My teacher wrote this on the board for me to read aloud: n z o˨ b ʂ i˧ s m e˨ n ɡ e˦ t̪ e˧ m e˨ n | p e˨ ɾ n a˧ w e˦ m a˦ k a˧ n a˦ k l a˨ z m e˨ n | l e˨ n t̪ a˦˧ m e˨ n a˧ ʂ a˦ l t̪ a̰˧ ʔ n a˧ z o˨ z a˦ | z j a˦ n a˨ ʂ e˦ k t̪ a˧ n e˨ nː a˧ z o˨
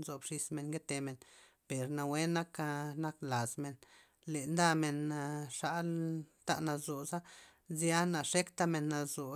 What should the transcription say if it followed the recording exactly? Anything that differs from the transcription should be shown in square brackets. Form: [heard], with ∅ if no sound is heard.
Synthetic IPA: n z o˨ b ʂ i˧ s m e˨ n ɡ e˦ t̪ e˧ m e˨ n | p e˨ ɾ n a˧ w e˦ [n] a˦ k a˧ n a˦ k l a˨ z m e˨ n | l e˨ n [d̪] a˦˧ m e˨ n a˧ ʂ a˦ l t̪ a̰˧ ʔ n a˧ z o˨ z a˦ | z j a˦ n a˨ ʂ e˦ k t̪ a˧ [m] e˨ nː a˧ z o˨